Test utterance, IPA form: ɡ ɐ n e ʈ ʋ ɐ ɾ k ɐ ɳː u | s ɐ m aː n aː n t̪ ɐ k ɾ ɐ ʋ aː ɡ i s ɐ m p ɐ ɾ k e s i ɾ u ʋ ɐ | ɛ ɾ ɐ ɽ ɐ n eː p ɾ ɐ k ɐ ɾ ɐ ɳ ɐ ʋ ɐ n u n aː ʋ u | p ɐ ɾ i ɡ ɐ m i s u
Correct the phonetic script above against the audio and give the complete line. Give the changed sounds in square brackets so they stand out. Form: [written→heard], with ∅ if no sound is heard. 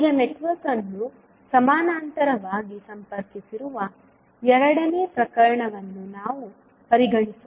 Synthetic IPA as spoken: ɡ ɐ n e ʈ ʋ ɐ ɾ k ɐ [ɳː→nː] u | s ɐ m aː n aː n t̪ ɐ [k→∅] ɾ ɐ ʋ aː ɡ i s ɐ m p ɐ ɾ k [e→i] s i ɾ u ʋ ɐ | ɛ ɾ ɐ ɽ ɐ n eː p ɾ ɐ k ɐ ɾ ɐ ɳ ɐ ʋ ɐ [n→nː] u n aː ʋ u | p ɐ ɾ i ɡ ɐ [m→ɳ] i s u